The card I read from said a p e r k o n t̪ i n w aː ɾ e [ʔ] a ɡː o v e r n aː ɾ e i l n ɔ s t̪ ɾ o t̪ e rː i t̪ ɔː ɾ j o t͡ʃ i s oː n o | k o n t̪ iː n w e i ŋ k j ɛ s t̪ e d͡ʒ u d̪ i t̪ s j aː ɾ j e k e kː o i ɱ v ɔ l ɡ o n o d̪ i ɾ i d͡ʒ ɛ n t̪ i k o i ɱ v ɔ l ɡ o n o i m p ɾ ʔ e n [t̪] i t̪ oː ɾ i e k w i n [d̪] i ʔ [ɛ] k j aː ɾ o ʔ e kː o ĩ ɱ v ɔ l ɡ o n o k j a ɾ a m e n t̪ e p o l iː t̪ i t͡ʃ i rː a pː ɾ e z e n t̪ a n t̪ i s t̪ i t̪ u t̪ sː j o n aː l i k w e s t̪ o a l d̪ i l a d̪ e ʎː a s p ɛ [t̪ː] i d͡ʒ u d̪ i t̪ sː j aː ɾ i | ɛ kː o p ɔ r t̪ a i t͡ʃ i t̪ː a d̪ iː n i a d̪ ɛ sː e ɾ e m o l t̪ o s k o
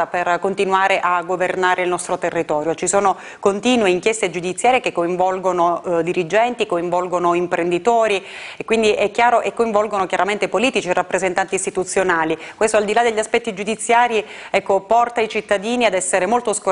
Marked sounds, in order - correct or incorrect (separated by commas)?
correct, incorrect, correct, correct, correct